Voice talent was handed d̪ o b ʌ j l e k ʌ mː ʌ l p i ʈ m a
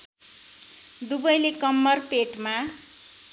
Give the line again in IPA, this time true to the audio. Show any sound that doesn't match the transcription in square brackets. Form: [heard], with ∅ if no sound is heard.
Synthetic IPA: d̪ [u] b ʌ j l e k ʌ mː ʌ [r] p [e] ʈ m a